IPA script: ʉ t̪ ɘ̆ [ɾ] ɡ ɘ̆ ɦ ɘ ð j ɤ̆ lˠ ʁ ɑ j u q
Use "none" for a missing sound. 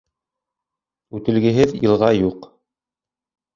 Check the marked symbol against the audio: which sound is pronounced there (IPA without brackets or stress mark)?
l